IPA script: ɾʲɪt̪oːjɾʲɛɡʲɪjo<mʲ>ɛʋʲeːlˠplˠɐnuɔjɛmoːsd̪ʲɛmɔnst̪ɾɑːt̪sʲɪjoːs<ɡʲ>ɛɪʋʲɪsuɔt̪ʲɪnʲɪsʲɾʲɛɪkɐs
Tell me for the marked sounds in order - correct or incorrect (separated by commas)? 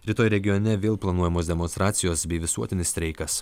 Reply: incorrect, incorrect